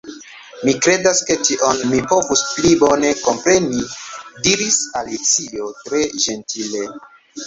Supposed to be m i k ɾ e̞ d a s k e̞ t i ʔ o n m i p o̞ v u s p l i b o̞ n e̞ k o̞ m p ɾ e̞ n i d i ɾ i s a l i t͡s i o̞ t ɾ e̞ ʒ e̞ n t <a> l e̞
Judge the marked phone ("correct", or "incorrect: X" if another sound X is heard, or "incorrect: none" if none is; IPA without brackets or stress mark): incorrect: i